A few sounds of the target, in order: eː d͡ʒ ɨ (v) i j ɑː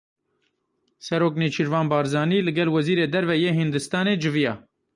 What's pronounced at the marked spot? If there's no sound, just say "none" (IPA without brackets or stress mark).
v